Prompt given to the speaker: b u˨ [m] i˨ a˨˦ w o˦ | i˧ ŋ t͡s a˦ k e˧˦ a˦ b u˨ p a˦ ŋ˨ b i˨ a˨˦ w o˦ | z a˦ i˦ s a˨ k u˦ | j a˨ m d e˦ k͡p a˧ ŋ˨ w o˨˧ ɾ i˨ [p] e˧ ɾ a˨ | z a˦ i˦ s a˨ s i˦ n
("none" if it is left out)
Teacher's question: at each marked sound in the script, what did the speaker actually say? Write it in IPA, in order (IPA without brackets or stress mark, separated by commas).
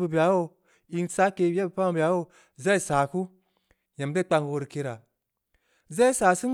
b, k